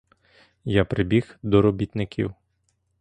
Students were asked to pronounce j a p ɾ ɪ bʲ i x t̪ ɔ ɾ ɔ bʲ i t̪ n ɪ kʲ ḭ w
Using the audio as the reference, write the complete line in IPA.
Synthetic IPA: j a p ɾ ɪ bʲ i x d̪ ɔ ɾ ɔ bʲ i t̪ n ɪ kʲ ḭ w